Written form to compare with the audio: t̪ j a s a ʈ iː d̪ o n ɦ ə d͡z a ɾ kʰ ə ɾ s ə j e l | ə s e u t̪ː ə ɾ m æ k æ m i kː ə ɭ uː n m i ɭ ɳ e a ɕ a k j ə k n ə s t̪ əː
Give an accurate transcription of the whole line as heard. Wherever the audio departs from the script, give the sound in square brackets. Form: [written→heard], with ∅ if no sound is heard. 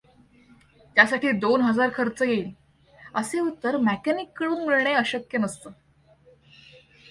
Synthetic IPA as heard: t̪ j a s a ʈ iː d̪ o n ɦ ə d͡z a ɾ kʰ ə ɾ [s→t͡s] ə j e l | ə s e u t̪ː ə ɾ m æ k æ [m→n] i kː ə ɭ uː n m i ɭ ɳ e [a→ə] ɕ [a→ə] k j ə [k→∅] n ə s t̪ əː